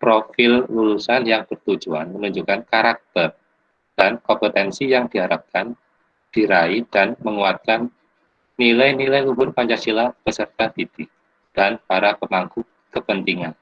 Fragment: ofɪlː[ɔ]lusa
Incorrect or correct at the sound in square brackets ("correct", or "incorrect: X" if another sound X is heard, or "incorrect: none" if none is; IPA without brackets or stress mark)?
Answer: incorrect: u